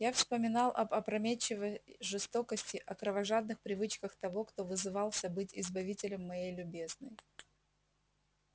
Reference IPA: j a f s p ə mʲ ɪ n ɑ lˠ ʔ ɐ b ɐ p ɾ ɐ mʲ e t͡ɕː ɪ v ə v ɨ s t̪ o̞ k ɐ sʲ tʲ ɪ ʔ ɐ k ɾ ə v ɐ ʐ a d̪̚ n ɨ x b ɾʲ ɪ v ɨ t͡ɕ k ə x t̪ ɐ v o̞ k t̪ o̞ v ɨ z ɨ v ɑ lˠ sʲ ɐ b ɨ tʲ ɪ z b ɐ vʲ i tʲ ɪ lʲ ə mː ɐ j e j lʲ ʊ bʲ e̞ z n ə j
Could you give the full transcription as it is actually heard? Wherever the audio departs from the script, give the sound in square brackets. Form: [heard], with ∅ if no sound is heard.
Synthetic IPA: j a f s p ə mʲ ɪ n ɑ lˠ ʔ ɐ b ɐ p ɾ ɐ mʲ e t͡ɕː ɪ v ə [ʐ] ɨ s t̪ o̞ k [ə] sʲ tʲ ɪ ʔ ɐ k ɾ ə v ɐ ʐ a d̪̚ n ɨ x [p] ɾʲ ɪ v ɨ t͡ɕ k ə x t̪ ɐ v o̞ k t̪ o̞ v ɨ z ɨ v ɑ lˠ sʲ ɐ b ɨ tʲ ɪ z b ɐ vʲ i tʲ ɪ lʲ ə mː ɐ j e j lʲ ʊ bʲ e̞ z n ə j